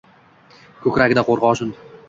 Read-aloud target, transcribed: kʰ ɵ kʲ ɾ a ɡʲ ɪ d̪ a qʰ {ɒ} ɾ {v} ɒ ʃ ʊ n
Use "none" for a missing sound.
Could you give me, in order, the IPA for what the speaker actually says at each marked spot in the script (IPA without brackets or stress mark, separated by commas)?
o, ʁ